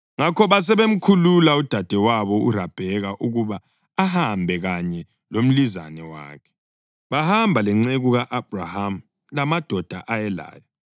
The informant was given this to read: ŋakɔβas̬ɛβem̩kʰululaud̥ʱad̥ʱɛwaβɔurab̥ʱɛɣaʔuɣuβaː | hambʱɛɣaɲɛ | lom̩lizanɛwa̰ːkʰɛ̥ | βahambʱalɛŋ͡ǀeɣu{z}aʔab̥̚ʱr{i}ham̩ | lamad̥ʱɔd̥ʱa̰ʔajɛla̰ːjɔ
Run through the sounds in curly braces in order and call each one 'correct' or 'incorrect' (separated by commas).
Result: incorrect, incorrect